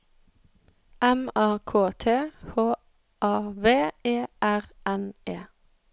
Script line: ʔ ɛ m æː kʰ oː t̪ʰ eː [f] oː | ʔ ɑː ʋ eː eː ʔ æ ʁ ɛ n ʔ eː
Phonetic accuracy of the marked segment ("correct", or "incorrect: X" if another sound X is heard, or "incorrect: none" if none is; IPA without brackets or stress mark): incorrect: h